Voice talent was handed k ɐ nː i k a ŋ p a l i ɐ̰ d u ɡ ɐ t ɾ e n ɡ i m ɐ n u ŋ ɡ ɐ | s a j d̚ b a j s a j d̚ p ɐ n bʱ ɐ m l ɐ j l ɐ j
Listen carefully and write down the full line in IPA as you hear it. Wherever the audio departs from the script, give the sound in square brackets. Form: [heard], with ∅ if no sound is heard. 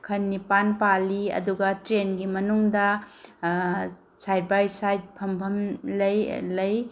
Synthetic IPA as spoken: [kʰ] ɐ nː i [p] a [n] p a l i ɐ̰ d u ɡ ɐ t ɾ e n ɡ i m ɐ n u ŋ [d] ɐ | s a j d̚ b a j s a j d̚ [pʰ] ɐ [m] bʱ ɐ m l ɐ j l ɐ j